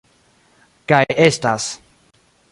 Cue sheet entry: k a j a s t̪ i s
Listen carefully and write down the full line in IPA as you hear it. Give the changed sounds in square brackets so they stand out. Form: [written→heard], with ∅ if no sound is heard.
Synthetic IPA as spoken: k a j [a→e] s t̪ [i→a] s